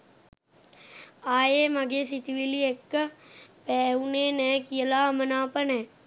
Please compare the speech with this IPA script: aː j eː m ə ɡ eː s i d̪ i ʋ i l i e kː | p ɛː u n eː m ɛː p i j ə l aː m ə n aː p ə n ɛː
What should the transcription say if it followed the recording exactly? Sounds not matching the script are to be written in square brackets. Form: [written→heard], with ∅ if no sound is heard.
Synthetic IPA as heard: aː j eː m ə ɡ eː s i [d̪→t̪] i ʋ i l i e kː | p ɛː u n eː [m→n] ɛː [p→k] i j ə l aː m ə n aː p ə n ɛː